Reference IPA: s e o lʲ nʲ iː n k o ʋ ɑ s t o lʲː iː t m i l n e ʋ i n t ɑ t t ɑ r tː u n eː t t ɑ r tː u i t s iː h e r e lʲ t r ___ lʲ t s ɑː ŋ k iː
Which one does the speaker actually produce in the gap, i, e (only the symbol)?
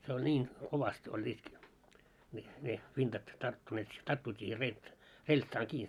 e